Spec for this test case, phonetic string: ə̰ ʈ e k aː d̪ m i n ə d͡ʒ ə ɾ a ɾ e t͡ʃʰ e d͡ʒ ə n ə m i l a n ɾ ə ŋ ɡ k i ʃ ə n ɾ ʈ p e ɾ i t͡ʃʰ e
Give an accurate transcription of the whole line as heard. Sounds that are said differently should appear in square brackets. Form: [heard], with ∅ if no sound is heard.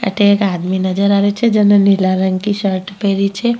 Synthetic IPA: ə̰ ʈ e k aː d̪ m i n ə d͡ʒ ə ɾ a ɾ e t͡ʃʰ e d͡ʒ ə n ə [n] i l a [∅] ɾ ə ŋ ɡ k i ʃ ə [∅] ɾ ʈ p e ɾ i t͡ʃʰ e